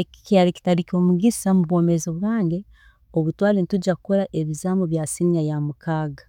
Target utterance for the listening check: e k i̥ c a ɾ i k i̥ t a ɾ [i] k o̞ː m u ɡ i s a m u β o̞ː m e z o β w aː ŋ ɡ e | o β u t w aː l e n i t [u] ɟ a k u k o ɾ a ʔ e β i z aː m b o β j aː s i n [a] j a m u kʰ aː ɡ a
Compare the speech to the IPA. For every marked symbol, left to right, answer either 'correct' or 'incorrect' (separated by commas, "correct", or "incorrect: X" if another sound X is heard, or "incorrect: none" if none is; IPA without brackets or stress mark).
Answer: correct, correct, correct